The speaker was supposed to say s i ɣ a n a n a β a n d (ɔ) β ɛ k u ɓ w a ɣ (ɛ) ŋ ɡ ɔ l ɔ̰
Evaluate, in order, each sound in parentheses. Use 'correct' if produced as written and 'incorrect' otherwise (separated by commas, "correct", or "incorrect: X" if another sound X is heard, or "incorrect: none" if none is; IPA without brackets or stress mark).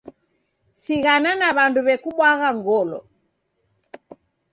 incorrect: u, incorrect: a